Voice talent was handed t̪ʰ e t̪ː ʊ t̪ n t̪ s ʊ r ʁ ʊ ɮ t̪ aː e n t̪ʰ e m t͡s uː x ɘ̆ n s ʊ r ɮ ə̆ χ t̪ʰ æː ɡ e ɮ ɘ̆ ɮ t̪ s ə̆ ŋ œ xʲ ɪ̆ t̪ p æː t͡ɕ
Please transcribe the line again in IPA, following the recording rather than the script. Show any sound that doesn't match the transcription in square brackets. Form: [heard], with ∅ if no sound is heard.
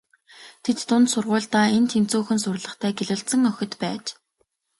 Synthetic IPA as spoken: t̪ʰ e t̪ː ʊ [∅] n t̪ s ʊ r ʁ [ʊː] ɮ t̪ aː e n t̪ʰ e m t͡s uː x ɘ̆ n s ʊ r ɮ ə̆ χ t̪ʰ æː ɡ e ɮ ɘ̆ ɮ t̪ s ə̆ ŋ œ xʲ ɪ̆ t̪ p æː t͡ɕ

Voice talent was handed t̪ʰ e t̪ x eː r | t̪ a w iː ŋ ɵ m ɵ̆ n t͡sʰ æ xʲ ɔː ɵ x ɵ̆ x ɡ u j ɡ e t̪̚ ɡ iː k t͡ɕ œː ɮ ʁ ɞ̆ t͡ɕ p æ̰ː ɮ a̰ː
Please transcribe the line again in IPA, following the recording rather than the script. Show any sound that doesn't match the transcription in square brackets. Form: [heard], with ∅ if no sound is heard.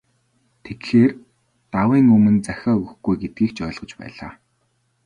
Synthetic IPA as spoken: t̪ʰ e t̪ x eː r | t̪ a w iː ŋ ɵ m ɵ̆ n [t͡s] æ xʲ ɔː ɵ [ɣ] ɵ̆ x ɡ u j ɡ e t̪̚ ɡ iː k t͡ɕ œː ɮ ʁ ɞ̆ t͡ɕ p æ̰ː ɮ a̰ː

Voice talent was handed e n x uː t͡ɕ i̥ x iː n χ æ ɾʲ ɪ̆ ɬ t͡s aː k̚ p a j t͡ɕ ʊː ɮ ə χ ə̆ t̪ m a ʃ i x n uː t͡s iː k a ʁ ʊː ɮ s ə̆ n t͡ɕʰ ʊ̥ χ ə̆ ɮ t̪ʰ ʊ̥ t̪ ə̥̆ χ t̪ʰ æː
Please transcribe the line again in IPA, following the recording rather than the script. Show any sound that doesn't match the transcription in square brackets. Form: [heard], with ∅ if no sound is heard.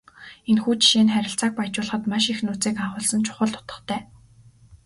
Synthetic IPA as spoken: e n x uː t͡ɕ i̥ [ʃ] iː n χ æ ɾʲ ɪ̆ ɬ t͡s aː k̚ p a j t͡ɕ ʊː ɮ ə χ ə̆ t̪ m a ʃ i x n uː t͡s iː k a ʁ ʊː ɮ s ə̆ n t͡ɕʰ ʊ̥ χ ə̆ ɮ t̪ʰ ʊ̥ t̪ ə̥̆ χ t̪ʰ æː

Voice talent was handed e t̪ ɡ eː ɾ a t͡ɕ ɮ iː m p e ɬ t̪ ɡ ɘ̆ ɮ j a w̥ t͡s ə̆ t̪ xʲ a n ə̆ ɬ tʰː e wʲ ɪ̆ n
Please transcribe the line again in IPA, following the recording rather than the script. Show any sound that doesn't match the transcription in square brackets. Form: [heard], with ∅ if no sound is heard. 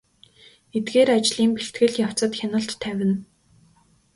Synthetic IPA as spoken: e t̪ ɡ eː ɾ a t͡ɕ ɮ iː m p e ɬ t̪ ɡ ɘ̆ ɮ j a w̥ t͡s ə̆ t̪ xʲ a n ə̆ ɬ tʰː [æ] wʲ ɪ̆ n

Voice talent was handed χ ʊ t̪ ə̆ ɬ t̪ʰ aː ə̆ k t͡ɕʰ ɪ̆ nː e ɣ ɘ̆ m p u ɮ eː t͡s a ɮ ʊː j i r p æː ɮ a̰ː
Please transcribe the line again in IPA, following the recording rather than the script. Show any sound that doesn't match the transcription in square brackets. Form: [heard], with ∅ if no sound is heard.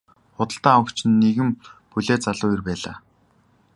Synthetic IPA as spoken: χ ʊ t̪ ə̆ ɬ [t̪] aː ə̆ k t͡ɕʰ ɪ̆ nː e ɣ ɘ̆ m p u ɮ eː t͡s a ɮ ʊː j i r p æː ɮ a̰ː

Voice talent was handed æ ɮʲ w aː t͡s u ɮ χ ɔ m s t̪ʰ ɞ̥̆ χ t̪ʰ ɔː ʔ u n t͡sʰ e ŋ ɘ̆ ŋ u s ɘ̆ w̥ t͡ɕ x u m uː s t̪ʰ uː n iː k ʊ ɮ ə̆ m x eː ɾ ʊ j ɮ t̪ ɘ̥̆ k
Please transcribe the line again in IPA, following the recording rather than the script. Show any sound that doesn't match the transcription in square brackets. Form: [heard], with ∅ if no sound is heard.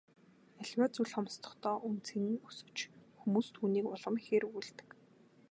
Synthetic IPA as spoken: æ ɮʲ w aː t͡s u ɮ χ ɔ m s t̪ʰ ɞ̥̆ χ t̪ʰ ɔː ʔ u n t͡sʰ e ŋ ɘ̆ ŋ u s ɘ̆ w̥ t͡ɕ x u m uː s t̪ʰ uː n iː k ʊ ɮ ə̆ m x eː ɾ [u] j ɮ t̪ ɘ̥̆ k

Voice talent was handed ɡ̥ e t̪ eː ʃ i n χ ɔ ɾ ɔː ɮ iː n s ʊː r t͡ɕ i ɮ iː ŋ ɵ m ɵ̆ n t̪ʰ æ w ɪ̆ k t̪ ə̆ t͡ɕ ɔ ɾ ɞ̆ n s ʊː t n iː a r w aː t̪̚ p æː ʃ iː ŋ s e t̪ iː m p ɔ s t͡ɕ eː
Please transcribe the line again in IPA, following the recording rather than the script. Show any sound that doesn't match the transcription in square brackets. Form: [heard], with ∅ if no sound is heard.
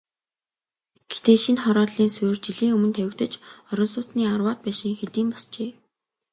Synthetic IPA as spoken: ɡ̥ e t̪ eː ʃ i n χ ɔ ɾ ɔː ɮ iː n s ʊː r t͡ɕ i ɮ iː ŋ ɵ m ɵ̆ n t̪ʰ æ w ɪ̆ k t̪ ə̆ t͡ɕ ɔ ɾ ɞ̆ n s ʊː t n iː a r w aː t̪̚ p æː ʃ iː ŋ [x] e t̪ iː m p ɔ s t͡ɕ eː

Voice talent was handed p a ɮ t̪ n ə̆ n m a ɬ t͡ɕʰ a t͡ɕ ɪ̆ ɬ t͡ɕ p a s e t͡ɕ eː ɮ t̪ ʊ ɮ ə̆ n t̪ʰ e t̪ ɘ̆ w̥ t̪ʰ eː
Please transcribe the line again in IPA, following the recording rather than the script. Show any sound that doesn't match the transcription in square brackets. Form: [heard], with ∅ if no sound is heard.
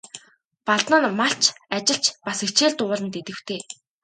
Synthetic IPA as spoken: p a ɮ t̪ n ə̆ n m a ɬ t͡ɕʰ a t͡ɕ ɪ̆ ɬ t͡ɕ p a s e t͡ɕ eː ɮ t̪ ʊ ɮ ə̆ n [t̪] e t̪ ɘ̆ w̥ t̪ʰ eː

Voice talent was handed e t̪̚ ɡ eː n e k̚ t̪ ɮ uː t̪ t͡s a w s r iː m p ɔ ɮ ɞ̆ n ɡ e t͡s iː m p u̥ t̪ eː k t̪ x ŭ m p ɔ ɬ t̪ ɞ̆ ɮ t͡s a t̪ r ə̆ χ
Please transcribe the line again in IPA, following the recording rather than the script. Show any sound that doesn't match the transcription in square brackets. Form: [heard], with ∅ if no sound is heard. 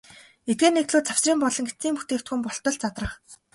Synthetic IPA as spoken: e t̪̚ ɡ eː n e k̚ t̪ ɮ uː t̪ t͡s a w s r iː m p ɔ ɮ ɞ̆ [ŋ] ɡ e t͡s iː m p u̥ t̪ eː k t̪ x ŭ m p ɔ ɬ t̪ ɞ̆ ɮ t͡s a t̪ r ə̆ χ

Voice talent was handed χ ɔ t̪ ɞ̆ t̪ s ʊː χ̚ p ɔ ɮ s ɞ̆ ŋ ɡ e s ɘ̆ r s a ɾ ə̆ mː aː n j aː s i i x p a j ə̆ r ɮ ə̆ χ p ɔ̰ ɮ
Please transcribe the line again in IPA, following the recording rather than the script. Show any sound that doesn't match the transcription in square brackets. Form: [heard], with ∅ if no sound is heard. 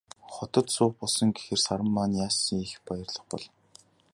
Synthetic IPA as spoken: χ ɔ t̪ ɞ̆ t̪ s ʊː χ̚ p ɔ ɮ s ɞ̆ ŋ ɡ e [x] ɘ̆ r s a ɾ ə̆ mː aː n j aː s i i x p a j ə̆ r ɮ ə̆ χ p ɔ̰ ɮ

